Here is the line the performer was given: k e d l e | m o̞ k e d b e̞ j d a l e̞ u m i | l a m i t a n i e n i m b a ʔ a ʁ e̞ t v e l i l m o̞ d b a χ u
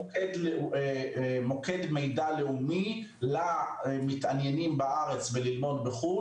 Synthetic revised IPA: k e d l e | m o̞ k e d m e̞ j d a l e̞ u m i | l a m i t a n j e n i m b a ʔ a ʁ e̞ t͡s v e l i l m o̞ d b e χ u

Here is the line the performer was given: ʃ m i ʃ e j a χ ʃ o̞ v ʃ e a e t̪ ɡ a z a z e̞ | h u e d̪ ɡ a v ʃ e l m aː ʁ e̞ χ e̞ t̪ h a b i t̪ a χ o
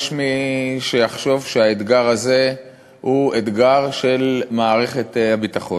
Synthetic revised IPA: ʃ m i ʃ e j a χ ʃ o̞ v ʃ e a e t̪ ɡ a ʁ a z e̞ | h u e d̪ ɡ a ʁ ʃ e l m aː ʁ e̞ χ e̞ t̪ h a b i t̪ a χ o

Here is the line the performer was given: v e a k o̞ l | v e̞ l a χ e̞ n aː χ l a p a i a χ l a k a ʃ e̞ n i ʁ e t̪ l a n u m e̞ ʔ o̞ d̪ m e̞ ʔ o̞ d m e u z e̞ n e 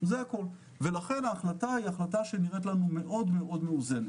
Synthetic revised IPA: z e a k o̞ l | v e̞ l a χ e̞ n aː χ l a t a i a χ l a t a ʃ e̞ n i ʁ e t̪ l a n u m e̞ ʔ o̞ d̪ m e̞ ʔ o̞ d m e u z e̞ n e

